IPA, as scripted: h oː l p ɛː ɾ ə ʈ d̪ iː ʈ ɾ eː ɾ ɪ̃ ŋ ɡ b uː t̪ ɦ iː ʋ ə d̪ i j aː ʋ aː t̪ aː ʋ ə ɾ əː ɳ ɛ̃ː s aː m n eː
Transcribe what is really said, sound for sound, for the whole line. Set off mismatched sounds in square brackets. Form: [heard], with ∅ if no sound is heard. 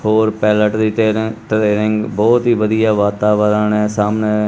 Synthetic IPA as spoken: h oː [ɾ] p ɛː [l] ə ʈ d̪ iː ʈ ɾ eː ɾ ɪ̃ ŋ ɡ b [ɔː] t̪ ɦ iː ʋ ə d̪ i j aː ʋ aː t̪ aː ʋ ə ɾ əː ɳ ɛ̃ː s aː m n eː